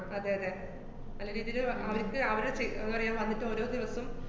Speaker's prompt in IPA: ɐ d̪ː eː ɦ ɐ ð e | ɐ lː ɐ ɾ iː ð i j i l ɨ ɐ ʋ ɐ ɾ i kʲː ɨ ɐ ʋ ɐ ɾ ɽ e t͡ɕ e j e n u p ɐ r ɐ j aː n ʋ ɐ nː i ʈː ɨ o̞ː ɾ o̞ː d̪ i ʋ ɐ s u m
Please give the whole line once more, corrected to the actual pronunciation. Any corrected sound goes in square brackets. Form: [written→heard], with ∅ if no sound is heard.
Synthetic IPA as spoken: ɐ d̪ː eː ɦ ɐ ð e | ɐ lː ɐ ɾ iː ð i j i l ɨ ɐ ʋ ɐ ɾ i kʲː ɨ ɐ ʋ ɐ ɾ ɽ e t͡ɕ e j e [n→nː] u p ɐ r ɐ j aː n ʋ ɐ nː i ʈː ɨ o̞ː ɾ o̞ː d̪ i ʋ ɐ s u m